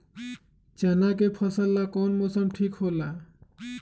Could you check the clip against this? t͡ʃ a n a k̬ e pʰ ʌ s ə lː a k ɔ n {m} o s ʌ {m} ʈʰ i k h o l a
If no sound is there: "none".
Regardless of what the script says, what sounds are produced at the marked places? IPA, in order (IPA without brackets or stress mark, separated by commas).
m, m